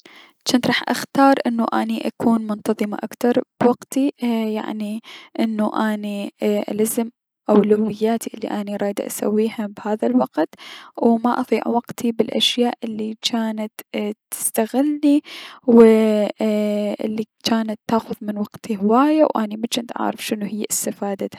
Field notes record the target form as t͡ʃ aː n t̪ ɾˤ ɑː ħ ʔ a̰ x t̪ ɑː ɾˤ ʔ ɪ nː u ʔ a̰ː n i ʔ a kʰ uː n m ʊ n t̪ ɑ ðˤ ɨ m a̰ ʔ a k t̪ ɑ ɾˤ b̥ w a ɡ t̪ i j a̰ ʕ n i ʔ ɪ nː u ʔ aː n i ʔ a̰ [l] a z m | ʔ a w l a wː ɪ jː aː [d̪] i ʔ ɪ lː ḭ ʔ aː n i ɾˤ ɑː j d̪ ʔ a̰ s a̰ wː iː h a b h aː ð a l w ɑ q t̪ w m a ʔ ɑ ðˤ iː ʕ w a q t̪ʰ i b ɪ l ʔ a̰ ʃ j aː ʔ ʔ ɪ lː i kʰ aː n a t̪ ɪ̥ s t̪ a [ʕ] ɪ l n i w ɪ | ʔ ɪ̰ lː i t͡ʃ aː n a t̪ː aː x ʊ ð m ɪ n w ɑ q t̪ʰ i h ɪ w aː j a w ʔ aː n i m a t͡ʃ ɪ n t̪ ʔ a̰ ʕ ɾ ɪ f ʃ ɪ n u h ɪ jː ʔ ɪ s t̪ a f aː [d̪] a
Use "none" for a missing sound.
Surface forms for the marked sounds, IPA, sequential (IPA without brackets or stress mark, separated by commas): l, t̪, ɣ, d̪